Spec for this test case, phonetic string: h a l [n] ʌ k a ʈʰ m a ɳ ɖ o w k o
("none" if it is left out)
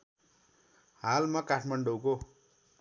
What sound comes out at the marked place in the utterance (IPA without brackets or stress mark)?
m